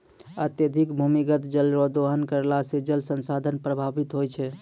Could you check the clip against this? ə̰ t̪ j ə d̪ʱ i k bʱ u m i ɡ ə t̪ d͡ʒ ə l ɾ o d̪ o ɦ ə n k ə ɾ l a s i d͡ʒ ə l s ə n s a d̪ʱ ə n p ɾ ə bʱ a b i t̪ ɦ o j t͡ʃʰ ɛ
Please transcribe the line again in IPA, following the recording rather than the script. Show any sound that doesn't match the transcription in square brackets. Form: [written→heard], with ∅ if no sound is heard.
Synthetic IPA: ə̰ t̪ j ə d̪ʱ i k bʱ u m i ɡ ə t̪ d͡ʒ ə l ɾ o d̪ o ɦ ə n k ə ɾ l a s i d͡ʒ ə l s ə n s a d̪ʱ ə n p ɾ ə bʱ a b i t̪ ɦ o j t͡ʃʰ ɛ